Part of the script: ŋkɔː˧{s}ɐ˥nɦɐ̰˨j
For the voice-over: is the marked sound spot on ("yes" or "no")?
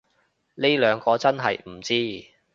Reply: no